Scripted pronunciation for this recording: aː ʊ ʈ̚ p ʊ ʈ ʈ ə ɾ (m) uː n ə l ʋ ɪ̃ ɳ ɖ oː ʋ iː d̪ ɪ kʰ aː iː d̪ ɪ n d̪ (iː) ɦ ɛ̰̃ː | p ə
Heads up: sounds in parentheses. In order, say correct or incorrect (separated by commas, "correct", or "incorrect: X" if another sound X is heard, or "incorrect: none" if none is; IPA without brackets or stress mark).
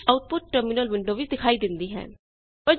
correct, correct